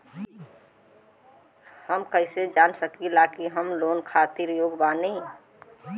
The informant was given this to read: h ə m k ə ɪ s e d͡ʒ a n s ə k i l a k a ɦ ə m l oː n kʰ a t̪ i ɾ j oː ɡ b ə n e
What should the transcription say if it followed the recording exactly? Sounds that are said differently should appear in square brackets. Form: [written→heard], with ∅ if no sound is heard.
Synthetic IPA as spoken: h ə m k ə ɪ s e d͡ʒ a n s ə k i l a k [a→i] ɦ ə m l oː n kʰ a t̪ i ɾ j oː ɡ b [ə→a] n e